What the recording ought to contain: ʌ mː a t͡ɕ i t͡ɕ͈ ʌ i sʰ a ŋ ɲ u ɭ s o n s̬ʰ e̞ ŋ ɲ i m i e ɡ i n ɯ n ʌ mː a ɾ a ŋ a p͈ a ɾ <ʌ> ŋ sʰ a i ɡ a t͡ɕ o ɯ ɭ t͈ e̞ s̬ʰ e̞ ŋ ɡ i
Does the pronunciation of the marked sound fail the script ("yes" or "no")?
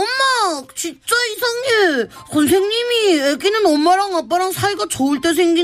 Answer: yes